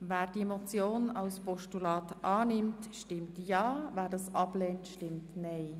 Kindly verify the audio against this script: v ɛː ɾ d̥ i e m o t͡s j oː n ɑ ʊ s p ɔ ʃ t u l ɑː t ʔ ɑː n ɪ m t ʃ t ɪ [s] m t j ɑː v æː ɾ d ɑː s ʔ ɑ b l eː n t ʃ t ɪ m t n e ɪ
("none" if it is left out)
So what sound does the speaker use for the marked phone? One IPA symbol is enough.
none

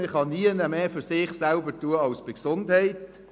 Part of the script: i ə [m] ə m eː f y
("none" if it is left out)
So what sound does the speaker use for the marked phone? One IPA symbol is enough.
n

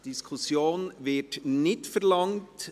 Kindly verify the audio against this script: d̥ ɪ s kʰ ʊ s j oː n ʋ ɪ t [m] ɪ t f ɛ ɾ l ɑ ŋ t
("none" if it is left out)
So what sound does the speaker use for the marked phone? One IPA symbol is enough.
n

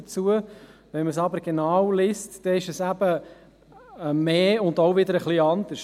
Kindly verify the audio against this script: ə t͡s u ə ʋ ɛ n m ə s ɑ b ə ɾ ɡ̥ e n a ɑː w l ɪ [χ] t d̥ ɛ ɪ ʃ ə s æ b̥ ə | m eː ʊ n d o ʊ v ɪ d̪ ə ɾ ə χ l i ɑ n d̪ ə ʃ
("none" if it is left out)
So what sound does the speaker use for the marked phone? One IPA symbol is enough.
s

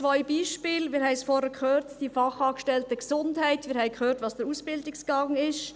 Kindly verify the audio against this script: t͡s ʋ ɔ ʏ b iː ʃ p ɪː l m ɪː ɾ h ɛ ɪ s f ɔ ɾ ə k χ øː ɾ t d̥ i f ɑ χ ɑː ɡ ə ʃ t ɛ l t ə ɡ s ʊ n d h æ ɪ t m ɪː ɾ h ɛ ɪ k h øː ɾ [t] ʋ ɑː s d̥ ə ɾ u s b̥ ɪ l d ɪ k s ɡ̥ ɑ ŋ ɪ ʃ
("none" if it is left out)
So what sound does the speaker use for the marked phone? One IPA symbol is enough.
t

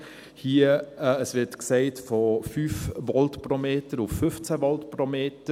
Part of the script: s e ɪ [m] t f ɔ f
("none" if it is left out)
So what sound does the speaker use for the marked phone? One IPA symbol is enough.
none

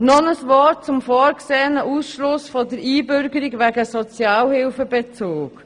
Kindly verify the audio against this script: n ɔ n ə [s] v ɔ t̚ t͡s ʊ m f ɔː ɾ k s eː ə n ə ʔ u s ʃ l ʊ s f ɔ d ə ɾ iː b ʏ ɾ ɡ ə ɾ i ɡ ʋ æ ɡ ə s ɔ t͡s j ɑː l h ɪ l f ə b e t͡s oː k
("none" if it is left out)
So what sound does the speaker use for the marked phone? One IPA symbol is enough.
s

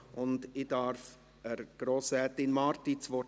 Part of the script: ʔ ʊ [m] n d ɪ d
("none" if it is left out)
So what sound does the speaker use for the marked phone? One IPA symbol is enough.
none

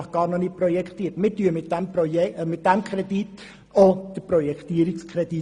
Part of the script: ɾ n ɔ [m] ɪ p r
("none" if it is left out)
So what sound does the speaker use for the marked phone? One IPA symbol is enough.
n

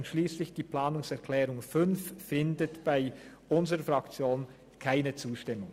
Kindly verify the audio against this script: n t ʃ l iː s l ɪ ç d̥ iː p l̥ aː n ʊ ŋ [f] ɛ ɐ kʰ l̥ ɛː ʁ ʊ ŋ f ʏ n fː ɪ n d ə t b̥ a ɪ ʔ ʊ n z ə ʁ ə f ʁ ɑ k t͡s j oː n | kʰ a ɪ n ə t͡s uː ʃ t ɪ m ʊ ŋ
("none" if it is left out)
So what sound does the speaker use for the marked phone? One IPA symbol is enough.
s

